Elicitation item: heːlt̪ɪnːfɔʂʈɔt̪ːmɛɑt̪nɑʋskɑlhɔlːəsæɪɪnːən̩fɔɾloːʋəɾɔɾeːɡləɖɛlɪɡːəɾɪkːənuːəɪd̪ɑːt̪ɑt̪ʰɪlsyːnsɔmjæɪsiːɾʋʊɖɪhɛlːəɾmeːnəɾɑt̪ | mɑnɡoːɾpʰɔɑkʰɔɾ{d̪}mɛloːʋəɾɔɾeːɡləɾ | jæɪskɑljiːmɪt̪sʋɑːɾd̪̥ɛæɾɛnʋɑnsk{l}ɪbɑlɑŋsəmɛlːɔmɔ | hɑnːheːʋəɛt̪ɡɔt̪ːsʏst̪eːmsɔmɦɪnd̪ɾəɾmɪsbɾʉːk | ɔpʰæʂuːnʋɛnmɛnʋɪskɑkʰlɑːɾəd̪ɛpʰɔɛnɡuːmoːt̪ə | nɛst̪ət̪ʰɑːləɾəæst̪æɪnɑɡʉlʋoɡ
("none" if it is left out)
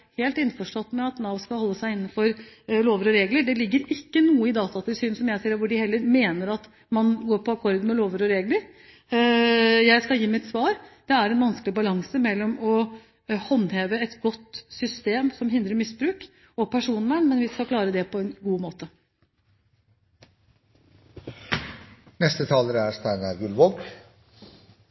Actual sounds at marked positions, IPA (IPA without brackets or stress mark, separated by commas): d̪, l